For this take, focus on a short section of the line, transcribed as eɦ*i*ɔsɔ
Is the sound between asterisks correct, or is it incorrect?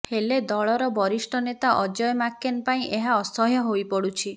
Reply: incorrect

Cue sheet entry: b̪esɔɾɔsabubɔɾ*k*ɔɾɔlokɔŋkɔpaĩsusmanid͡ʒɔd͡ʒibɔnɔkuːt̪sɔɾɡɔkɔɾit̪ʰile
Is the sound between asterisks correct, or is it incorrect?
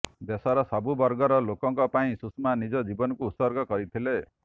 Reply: incorrect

